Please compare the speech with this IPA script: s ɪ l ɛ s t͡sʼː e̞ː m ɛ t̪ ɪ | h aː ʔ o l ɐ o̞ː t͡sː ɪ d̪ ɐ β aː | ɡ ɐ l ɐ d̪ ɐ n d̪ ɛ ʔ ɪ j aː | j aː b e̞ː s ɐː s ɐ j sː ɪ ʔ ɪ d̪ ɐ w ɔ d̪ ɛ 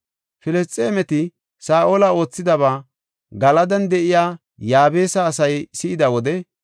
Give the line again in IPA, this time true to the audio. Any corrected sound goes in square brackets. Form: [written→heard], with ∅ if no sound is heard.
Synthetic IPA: [s→f] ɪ l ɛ s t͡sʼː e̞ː m ɛ t̪ ɪ | [h→s] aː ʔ o l ɐ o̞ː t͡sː ɪ d̪ ɐ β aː | ɡ ɐ l ɐ d̪ ɐ n d̪ ɛ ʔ ɪ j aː | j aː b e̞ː s ɐː s ɐ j [sː→s] ɪ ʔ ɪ d̪ ɐ w ɔ d̪ ɛ

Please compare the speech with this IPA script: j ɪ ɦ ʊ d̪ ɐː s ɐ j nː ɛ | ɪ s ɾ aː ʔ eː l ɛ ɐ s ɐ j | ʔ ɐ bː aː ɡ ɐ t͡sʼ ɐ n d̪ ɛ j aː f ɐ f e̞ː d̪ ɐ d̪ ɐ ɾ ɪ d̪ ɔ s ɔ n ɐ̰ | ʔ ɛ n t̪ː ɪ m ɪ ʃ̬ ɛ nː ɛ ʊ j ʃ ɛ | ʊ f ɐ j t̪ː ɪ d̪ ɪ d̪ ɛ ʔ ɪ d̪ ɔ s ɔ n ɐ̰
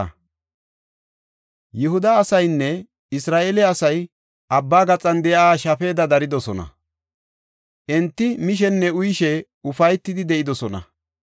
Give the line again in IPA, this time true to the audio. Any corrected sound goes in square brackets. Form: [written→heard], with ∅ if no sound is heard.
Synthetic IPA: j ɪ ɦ ʊ d̪ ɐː s ɐ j nː ɛ | ɪ s ɾ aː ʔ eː l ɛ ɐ s ɐ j | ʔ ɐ bː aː ɡ ɐ t͡sʼ ɐ n d̪ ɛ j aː [f→ʃ] ɐ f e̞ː d̪ ɐ d̪ ɐ ɾ ɪ d̪ ɔ s ɔ n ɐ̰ | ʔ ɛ n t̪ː ɪ m ɪ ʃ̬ ɛ nː ɛ ʊ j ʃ ɛ | ʊ f ɐ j t̪ː ɪ d̪ ɪ d̪ ɛ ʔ ɪ d̪ ɔ s ɔ n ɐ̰

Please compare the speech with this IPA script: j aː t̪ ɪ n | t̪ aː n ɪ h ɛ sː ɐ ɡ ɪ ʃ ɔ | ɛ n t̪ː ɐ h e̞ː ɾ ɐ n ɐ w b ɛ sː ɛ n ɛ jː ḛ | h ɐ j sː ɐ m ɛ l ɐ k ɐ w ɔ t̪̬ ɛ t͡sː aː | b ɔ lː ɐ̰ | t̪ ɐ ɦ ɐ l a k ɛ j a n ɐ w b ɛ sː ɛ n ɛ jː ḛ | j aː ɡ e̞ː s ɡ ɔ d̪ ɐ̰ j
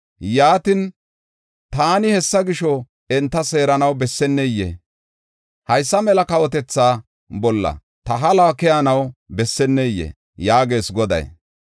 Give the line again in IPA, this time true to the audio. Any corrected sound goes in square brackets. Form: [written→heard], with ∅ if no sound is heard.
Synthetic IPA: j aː t̪ ɪ n | t̪ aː n ɪ h ɛ sː ɐ ɡ ɪ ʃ ɔ | ɛ n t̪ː ɐ [h→s] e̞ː ɾ ɐ n ɐ w b ɛ sː ɛ [n→nː] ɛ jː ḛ | h ɐ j sː ɐ m ɛ l ɐ k ɐ w ɔ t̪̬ ɛ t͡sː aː | b ɔ lː ɐ̰ | t̪ ɐ ɦ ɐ l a k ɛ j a n ɐ w b ɛ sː ɛ [n→nː] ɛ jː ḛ | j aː ɡ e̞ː s ɡ ɔ d̪ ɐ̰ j

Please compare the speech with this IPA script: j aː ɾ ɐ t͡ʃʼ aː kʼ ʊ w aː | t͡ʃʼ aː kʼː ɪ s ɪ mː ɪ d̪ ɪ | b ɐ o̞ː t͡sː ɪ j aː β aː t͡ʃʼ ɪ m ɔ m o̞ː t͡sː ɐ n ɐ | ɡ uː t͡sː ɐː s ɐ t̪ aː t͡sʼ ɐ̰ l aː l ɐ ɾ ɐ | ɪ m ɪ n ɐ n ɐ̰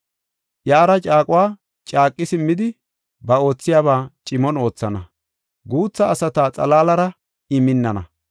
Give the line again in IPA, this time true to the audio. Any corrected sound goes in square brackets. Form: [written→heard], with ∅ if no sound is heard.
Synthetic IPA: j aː ɾ ɐ t͡ʃʼ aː kʼ ʊ w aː | t͡ʃʼ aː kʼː ɪ s ɪ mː ɪ d̪ ɪ | b ɐ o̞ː t͡sː ɪ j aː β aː t͡ʃʼ ɪ m ɔ [m→n] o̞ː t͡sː ɐ n ɐ | ɡ uː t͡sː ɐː s ɐ t̪ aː t͡sʼ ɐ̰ l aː l ɐ ɾ ɐ | ɪ m ɪ [n→nː] ɐ n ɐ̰

